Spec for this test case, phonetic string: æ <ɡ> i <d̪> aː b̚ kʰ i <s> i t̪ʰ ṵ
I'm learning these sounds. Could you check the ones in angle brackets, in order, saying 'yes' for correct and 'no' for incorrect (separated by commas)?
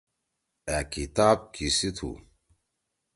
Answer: no, no, yes